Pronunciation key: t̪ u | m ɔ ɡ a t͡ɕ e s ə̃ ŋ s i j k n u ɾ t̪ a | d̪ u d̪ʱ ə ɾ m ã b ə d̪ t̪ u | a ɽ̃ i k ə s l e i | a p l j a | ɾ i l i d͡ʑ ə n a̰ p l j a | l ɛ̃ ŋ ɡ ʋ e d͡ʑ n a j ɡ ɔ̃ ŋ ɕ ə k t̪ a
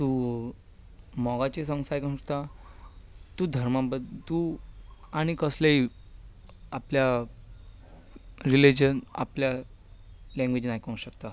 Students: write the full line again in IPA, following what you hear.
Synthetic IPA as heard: t̪ u | m ɔ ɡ a t͡ɕ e s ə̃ ŋ s a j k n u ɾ t̪ a | t̪ u d̪ʱ ə ɾ m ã b ə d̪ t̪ u | a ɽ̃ i k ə s l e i | a p l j a | ɾ i l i d͡ʑ ə n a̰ p l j a | l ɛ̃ ŋ ɡ ʋ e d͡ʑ n a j k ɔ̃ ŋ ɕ ə k t̪ a